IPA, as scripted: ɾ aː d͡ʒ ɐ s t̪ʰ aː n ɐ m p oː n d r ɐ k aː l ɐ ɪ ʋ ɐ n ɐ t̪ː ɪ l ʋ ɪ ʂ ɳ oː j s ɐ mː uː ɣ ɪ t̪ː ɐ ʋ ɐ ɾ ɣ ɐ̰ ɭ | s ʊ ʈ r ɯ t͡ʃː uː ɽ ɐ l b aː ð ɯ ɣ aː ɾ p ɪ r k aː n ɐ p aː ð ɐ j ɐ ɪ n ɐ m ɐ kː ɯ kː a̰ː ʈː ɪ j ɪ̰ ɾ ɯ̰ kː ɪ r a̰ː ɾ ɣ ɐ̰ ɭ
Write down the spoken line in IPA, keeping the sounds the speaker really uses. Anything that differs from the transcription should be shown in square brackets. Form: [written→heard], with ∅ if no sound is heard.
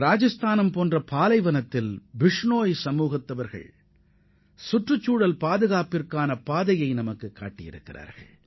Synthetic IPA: ɾ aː d͡ʒ ɐ s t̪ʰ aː n ɐ m p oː n d r ɐ [k→p] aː l ɐ ɪ ʋ ɐ n ɐ t̪ː ɪ l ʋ ɪ ʂ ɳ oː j s ɐ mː uː ɣ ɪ t̪ː ɐ ʋ ɐ ɾ ɣ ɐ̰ ɭ | s ʊ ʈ r ɯ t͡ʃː uː ɽ ɐ l [b→p] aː ð ɯ ɣ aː [ɾ→∅] p ɪ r k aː n ɐ p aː ð ɐ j ɐ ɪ n ɐ m ɐ kː ɯ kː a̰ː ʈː ɪ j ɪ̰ ɾ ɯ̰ kː ɪ r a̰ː ɾ ɣ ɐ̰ ɭ